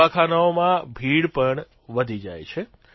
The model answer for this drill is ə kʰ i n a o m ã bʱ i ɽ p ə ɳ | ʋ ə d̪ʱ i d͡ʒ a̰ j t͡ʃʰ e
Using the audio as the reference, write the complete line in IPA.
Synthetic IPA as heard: a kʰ a n a o m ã bʱ i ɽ p ə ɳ | ʋ ə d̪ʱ i d͡ʒ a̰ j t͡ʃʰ e